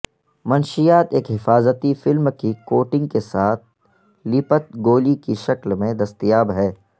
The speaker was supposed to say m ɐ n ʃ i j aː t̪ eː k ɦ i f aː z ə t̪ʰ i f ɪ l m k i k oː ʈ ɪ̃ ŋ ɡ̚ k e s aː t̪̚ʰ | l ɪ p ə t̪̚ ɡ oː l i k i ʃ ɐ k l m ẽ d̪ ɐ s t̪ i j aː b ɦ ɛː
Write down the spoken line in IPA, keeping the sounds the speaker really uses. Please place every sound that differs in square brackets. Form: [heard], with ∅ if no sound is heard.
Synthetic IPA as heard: m ɐ n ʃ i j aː t̪ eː k ɦ [ɪ] f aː z ə [t̪] i f ɪ l m k i k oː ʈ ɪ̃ ŋ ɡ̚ k e s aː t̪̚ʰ | l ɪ p ə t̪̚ ɡ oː l i k i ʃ ɐ k l m ẽ d̪ ɐ s t̪ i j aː b ɦ ɛː

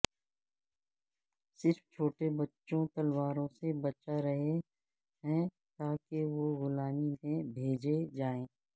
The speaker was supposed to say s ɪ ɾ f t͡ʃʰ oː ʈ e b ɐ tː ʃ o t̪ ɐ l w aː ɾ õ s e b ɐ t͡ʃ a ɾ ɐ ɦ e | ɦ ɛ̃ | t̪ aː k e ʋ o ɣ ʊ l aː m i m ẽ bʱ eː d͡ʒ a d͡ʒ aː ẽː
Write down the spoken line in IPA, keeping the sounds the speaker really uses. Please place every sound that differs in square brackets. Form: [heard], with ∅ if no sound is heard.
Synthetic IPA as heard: s ɪ ɾ f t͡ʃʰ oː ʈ e b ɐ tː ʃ [õ] t̪ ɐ l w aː ɾ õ s e b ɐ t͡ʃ a ɾ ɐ ɦ e | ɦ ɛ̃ | t̪ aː k e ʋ o ɣ ʊ l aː m i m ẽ bʱ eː d͡ʒ [e] d͡ʒ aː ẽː

